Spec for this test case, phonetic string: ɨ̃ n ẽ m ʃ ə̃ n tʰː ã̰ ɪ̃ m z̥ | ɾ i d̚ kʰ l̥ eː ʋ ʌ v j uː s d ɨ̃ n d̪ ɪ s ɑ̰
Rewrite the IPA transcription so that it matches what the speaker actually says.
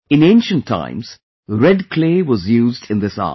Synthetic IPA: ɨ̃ n ẽ n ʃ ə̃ n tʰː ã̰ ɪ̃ m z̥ | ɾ ɛ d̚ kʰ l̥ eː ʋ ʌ z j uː z d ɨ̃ n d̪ ɪ s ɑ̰